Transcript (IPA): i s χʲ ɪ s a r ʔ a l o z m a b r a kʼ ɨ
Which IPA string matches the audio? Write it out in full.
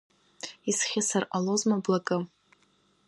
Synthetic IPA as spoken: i s χʲ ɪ s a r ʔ a l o z m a b l a kʼ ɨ